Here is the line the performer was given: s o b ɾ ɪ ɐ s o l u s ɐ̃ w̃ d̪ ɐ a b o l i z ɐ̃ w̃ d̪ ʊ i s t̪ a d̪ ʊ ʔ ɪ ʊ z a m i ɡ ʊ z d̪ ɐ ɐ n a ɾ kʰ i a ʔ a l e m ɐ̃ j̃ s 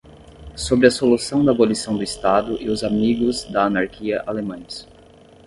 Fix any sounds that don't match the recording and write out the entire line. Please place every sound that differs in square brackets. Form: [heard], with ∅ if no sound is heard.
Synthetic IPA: s o b ɾ ɪ ɐ s o l u s ɐ̃ w̃ d̪ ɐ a b o l i [s] ɐ̃ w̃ d̪ ʊ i s t̪ a d̪ ʊ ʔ ɪ ʊ z a m i ɡ ʊ z d̪ ɐ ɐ n a ɾ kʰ i [ɐ] ʔ a l e m ɐ̃ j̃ s